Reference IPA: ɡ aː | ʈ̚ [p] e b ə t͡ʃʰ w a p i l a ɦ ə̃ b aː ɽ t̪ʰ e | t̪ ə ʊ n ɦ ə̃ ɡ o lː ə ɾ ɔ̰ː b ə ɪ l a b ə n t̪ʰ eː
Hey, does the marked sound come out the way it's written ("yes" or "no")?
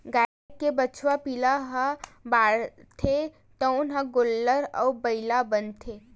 no